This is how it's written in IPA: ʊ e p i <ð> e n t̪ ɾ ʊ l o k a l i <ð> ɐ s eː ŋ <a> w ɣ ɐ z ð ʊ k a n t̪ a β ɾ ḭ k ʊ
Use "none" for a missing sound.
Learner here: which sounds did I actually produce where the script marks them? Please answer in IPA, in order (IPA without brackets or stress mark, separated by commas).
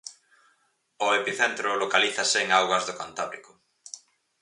θ, θ, a